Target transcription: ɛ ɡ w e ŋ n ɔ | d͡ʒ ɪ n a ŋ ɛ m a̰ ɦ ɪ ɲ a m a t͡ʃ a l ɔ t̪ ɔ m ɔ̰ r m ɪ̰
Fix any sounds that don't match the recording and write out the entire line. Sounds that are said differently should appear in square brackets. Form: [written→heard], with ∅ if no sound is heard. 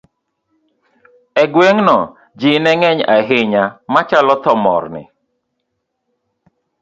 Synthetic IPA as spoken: ɛ ɡ w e ŋ n ɔ | d͡ʒ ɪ n [a→ɛ] ŋ ɛ [m→ɲ] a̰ ɦ ɪ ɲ a m a t͡ʃ a l ɔ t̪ ɔ m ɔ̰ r [m→n] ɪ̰